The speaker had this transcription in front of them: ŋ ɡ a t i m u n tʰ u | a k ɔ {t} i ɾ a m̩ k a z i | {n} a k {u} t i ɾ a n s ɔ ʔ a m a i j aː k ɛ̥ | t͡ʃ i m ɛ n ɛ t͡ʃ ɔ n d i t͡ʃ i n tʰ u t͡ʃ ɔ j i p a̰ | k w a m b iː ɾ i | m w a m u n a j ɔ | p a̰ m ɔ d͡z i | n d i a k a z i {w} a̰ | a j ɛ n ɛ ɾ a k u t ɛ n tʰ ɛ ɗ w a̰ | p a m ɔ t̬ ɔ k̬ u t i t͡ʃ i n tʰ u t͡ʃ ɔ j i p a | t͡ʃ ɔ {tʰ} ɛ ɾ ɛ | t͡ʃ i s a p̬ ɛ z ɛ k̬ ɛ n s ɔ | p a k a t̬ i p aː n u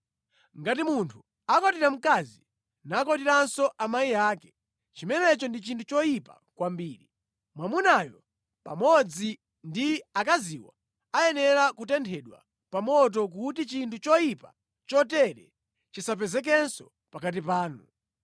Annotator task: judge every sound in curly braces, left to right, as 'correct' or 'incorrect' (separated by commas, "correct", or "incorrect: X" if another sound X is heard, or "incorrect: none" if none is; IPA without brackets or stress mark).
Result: correct, correct, incorrect: ɔ, correct, incorrect: t